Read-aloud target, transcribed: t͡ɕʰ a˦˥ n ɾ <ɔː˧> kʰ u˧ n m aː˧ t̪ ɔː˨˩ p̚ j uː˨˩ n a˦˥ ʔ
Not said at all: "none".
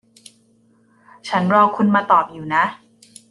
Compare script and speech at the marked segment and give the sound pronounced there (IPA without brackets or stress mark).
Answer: ɔː˧